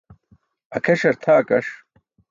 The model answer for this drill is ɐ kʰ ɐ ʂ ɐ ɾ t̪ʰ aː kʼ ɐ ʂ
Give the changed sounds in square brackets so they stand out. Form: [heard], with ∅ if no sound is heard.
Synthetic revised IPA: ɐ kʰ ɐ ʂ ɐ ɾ t̪ʰ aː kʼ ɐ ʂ